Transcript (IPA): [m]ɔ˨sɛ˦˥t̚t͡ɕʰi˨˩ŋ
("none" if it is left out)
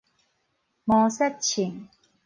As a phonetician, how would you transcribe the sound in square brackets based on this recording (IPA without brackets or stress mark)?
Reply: m